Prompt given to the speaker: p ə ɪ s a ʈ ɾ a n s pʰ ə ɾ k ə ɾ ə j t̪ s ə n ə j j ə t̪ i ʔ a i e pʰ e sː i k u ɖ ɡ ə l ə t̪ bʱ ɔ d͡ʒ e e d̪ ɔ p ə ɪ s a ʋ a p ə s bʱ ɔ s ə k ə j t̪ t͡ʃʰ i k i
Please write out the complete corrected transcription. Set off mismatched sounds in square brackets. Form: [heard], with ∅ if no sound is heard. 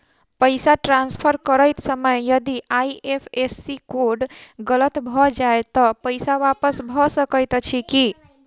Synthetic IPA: p ə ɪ s a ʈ ɾ a n s pʰ ə ɾ k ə ɾ ə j t̪ s ə [m] ə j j ə [d̪] i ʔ a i e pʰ e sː i k [o] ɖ ɡ ə l ə t̪ bʱ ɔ d͡ʒ [a] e [t̪] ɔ p ə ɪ s a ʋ a p ə s bʱ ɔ s ə k ə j t̪ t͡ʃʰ i k i